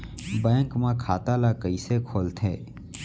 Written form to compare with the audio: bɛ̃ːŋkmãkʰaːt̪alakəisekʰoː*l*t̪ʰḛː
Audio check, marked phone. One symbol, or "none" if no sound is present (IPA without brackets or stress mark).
l